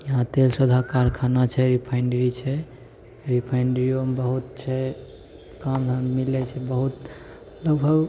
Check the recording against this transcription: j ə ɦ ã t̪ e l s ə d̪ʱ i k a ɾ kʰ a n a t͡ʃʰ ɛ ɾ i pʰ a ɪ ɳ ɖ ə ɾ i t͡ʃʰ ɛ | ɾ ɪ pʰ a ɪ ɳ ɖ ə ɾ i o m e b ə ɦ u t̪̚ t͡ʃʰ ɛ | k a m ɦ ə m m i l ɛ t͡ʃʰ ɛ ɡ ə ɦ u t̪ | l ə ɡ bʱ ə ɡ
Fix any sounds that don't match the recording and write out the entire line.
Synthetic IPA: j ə ɦ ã t̪ e l s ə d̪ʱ a k a ɾ kʰ a n a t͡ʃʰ ɛ ɾ i pʰ a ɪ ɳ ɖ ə ɾ i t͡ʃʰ ɛ | ɾ i pʰ a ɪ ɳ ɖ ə ɾ i o m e b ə ɦ u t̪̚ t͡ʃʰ ɛ | k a m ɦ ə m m i l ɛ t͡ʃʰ ɛ b ə ɦ u t̪ | l ə ɡ bʱ ə ɡ